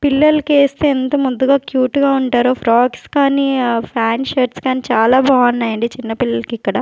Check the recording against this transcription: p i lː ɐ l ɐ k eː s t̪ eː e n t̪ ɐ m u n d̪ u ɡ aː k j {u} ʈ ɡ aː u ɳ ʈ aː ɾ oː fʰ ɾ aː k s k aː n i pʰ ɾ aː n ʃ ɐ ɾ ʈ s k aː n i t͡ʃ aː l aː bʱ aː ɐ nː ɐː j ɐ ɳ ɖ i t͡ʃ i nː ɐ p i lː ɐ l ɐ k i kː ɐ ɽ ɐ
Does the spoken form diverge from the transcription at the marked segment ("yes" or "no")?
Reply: yes